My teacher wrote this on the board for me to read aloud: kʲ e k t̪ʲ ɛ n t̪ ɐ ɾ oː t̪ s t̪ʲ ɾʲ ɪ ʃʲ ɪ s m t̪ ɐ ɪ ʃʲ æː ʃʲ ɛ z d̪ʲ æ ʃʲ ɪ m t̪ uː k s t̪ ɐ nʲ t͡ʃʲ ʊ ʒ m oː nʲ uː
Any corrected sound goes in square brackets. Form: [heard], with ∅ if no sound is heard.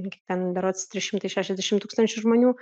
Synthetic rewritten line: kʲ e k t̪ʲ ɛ n [d̪] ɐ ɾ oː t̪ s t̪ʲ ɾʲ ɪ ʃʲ ɪ [∅] m t̪ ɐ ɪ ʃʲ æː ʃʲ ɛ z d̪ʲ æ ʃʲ ɪ m t̪ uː k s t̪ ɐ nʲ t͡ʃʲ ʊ ʒ m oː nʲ uː